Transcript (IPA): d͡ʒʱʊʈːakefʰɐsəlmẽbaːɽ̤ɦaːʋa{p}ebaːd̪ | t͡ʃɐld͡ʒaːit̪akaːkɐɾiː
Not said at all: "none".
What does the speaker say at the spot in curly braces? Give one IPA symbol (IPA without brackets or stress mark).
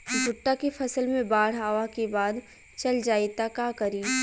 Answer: k